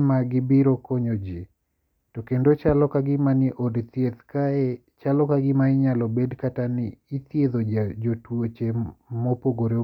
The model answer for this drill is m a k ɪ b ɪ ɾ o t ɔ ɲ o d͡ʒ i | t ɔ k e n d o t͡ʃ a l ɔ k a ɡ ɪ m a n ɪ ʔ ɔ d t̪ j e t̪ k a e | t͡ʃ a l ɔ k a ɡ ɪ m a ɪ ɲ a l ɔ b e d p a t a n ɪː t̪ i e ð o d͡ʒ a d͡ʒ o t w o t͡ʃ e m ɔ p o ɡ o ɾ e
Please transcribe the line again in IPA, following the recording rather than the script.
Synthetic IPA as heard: m a ɡ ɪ b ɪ ɾ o k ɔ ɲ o d͡ʒ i | t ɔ k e n d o t͡ʃ a l ɔ k a ɡ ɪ m a n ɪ ʔ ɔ d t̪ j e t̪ k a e | t͡ʃ a l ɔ k a ɡ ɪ m a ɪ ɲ a l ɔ b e d k a t a n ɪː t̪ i e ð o d͡ʒ a d͡ʒ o t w o t͡ʃ e m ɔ p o ɡ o ɾ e